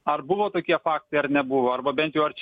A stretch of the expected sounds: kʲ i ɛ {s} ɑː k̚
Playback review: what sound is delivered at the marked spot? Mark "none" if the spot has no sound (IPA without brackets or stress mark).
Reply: f